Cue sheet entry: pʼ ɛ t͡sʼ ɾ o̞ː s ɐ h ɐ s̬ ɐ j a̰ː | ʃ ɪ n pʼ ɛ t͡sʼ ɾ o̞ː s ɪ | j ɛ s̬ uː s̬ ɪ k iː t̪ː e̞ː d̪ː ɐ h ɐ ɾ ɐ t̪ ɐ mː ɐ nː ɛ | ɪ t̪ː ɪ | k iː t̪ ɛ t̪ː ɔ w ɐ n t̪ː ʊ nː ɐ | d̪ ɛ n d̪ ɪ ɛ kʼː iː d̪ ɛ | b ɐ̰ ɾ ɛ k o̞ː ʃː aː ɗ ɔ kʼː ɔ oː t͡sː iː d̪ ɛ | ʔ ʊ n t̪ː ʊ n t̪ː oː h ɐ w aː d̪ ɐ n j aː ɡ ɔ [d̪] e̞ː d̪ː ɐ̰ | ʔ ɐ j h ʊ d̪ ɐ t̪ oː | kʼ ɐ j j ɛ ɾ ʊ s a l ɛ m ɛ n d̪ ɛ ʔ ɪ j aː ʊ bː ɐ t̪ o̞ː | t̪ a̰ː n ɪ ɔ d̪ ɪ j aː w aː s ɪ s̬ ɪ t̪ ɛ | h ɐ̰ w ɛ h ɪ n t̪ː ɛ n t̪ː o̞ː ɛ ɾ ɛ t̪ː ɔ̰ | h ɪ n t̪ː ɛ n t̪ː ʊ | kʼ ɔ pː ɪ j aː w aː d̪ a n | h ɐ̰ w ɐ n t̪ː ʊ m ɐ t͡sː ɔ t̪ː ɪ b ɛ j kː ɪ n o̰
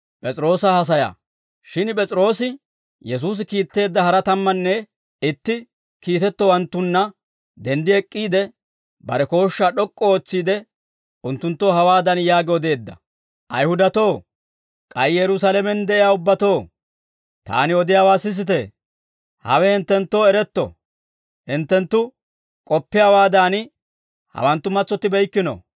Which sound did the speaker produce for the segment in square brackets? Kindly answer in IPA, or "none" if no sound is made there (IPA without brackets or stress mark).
d̪